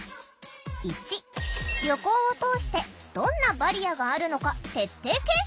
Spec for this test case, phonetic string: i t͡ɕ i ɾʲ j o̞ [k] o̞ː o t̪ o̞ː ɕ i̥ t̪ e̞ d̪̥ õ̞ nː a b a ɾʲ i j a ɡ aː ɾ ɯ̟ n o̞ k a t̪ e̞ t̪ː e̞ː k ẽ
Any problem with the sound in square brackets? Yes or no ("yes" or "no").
no